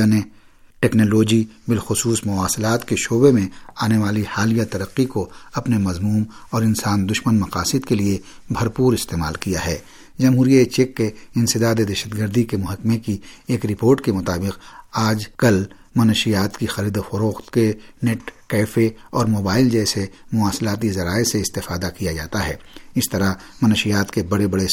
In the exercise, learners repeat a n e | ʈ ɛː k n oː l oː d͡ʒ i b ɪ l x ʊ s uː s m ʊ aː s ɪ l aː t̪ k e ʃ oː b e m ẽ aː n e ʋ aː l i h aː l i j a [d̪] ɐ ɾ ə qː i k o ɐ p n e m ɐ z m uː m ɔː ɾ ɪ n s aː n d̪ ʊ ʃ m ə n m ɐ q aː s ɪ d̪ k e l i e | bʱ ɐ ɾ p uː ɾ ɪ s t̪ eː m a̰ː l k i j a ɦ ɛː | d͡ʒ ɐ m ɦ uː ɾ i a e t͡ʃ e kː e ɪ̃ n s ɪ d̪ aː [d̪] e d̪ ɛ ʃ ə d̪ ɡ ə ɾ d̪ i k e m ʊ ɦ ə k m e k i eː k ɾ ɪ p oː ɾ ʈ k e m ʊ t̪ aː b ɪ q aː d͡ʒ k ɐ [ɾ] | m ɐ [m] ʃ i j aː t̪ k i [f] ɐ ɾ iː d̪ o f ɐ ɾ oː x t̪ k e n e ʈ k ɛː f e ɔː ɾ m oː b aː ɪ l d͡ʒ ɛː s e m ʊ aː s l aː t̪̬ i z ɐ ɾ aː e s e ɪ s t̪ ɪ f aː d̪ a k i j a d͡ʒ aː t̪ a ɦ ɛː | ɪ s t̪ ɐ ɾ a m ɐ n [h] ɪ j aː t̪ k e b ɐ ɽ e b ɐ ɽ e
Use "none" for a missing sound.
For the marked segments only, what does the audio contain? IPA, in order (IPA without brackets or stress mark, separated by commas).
t̪, d̪, l, n, x, ʃ